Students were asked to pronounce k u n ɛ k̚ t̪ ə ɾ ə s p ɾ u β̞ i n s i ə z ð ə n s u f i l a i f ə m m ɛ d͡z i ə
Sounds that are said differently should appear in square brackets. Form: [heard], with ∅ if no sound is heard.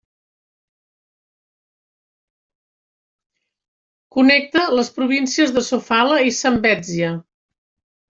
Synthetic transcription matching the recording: k u n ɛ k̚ t̪ ə [l] ə s p ɾ u β̞ i n s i ə z ð ə [∅] s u f [a] l [ə] i [s] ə m [b] ɛ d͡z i ə